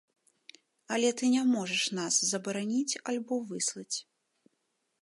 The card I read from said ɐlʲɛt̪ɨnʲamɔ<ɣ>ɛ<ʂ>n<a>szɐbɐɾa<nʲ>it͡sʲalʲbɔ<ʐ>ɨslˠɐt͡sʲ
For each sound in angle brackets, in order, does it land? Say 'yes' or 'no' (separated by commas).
no, yes, yes, yes, no